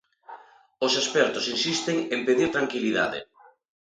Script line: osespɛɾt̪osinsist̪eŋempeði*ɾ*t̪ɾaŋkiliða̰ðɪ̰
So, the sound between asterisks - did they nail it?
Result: yes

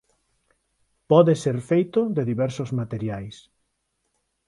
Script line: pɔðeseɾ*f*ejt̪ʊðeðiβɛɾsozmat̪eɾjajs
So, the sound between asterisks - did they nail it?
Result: yes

